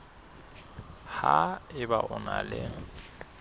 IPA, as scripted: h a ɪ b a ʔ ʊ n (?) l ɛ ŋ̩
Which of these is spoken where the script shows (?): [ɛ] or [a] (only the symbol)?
a